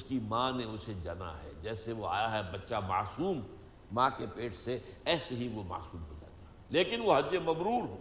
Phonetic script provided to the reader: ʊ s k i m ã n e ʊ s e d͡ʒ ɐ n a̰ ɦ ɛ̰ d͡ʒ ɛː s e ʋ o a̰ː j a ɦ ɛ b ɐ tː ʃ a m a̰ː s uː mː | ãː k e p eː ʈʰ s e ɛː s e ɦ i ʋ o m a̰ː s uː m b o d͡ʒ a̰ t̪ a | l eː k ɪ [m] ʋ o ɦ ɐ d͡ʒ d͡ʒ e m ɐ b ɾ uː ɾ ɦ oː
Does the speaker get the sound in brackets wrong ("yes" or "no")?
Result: yes